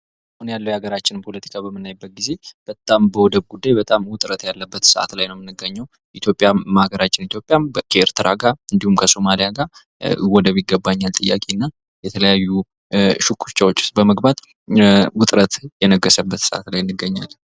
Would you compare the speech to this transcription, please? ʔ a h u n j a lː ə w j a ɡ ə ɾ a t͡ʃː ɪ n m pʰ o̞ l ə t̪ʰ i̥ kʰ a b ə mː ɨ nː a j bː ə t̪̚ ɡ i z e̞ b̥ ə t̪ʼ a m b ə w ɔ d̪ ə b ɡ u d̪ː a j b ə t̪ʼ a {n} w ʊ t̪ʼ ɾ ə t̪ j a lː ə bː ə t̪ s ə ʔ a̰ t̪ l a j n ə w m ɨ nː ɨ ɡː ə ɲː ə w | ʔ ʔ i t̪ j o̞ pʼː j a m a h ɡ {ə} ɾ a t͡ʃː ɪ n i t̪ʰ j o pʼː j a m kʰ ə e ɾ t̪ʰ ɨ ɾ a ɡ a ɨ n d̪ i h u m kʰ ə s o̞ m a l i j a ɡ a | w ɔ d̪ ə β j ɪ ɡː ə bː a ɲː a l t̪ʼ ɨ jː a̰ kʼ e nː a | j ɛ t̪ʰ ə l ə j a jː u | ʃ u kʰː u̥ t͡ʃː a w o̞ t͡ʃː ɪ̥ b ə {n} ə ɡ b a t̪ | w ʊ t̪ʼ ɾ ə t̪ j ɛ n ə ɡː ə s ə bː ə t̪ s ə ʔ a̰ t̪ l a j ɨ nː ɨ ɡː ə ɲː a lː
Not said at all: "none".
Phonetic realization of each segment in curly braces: m, ə, m

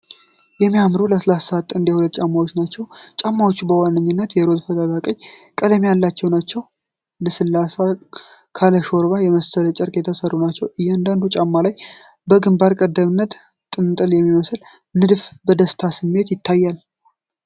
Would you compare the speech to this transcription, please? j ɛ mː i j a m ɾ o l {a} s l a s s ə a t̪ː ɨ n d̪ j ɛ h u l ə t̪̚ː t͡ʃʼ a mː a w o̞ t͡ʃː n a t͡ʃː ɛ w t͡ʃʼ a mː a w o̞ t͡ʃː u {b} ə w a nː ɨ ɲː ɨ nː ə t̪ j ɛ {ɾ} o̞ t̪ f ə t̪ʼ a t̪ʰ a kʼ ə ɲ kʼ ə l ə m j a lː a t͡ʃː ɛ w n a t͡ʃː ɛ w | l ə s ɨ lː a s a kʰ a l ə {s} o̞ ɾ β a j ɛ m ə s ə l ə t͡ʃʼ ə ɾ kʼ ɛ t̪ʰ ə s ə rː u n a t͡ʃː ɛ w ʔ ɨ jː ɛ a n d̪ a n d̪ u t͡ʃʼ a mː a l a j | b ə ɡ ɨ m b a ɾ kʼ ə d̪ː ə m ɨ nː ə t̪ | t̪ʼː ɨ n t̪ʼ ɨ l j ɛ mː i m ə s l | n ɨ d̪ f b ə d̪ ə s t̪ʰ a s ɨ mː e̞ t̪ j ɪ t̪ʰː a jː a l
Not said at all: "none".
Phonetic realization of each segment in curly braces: ə, b, ɾ, ʃ

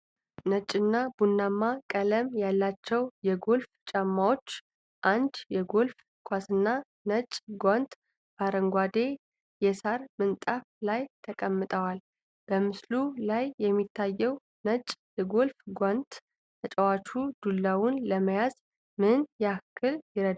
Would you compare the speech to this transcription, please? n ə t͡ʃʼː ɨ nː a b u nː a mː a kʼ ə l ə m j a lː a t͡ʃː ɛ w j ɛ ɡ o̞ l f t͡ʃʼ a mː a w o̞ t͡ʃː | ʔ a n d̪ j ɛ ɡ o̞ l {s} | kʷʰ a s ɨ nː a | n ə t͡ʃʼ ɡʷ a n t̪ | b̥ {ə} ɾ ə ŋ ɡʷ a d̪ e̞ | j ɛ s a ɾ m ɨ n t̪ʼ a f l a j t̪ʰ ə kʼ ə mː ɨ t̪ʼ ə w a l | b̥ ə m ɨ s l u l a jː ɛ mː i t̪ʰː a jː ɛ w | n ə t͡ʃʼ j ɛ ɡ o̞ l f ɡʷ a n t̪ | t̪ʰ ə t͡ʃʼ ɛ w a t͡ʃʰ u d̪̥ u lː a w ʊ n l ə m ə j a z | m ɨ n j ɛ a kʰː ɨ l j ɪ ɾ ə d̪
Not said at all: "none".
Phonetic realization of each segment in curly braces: f, a

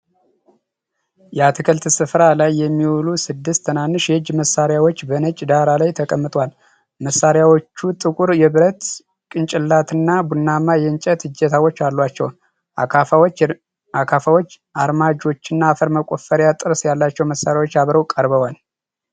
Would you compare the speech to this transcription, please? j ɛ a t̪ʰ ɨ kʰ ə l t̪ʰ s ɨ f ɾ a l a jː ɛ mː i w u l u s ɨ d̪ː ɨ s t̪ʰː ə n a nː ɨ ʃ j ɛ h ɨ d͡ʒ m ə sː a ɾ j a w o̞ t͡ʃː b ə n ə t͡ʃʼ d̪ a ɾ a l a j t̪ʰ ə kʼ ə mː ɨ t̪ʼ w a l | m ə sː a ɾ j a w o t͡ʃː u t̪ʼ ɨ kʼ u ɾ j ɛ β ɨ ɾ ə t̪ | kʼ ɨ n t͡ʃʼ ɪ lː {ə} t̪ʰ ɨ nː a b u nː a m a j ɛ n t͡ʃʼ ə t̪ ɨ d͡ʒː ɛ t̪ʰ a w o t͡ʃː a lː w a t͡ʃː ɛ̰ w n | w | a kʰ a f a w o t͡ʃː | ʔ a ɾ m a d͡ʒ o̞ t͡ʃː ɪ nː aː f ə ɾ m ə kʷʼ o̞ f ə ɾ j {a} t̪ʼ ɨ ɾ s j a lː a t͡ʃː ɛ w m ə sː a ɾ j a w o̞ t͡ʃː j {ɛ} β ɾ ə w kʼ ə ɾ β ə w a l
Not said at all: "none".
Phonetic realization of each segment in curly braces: a, a, a

